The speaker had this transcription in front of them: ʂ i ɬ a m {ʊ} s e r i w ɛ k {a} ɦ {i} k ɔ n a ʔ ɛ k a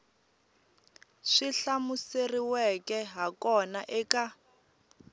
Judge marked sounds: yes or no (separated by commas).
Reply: no, no, no